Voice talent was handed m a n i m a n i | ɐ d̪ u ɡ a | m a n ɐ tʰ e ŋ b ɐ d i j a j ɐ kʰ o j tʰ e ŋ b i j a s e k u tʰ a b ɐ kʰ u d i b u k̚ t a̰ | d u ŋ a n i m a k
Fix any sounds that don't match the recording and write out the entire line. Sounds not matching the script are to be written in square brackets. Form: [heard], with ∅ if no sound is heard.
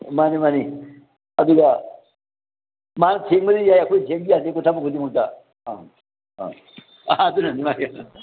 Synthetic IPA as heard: m a n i m a n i | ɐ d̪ u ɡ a | m a n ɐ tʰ e ŋ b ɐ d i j a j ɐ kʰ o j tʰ e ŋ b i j a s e k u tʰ a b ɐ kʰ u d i [m] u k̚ t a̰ | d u [n] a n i m a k

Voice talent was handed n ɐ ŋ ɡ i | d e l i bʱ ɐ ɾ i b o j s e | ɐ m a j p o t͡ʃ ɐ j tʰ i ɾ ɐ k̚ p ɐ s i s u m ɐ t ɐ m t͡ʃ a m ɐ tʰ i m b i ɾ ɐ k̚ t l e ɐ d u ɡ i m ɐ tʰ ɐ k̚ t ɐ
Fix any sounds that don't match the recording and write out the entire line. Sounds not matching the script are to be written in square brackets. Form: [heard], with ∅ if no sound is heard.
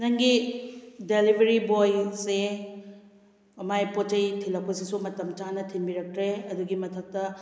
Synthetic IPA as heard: n ɐ ŋ ɡ i | d e l i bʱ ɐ ɾ i b o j s e | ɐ m a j p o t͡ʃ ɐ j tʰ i [l] ɐ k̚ p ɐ s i s u m ɐ t ɐ m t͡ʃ a [n] ɐ tʰ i m b i ɾ ɐ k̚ t [ɾ] e ɐ d u ɡ i m ɐ tʰ ɐ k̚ t ɐ

